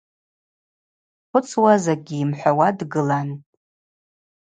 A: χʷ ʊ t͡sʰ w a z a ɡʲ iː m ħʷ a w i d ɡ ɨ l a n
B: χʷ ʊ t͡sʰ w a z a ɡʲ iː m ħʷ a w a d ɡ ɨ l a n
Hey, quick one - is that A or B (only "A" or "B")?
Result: B